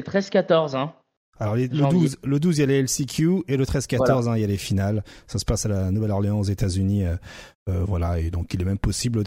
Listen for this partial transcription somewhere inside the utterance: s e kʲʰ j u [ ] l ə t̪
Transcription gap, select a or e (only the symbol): e